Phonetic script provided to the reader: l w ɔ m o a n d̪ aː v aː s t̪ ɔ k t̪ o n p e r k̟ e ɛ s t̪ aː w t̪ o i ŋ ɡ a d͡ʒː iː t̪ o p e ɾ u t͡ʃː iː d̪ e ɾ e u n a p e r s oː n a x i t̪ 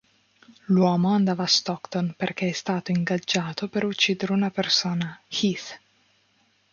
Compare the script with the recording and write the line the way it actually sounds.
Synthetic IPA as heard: l w ɔː m o a n d̪ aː v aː s t̪ ɔ k t̪ o n p e r k̟ e ɛ s t̪ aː t̪ o i ŋ ɡ a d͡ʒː aː t̪ o p e ɾ u t͡ʃː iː d̪ e ɾ e u n a p e r s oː n a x i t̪